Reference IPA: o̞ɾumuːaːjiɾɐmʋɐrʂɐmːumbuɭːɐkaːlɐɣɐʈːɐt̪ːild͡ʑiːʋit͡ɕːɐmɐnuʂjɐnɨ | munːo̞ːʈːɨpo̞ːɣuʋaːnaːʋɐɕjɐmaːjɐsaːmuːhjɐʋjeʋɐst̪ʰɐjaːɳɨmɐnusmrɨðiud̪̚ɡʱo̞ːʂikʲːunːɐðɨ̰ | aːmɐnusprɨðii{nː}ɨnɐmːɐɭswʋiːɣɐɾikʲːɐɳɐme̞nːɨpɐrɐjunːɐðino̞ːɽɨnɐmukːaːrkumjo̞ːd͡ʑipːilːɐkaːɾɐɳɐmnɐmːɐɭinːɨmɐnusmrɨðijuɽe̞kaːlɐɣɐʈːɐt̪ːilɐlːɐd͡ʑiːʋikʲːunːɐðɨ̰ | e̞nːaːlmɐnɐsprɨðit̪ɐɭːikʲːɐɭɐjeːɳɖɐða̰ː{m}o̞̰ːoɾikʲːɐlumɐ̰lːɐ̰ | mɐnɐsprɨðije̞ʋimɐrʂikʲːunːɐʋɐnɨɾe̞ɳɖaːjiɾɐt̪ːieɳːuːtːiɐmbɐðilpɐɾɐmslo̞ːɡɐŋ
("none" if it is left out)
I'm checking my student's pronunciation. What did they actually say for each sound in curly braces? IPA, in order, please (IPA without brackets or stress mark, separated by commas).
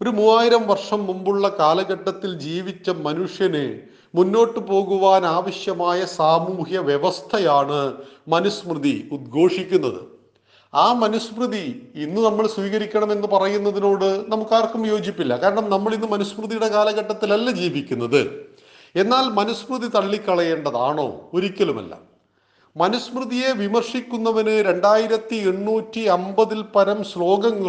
nː, ɳ